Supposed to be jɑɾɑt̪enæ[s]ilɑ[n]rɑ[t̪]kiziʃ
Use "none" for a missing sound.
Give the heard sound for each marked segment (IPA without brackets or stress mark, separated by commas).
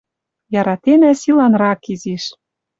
s, n, none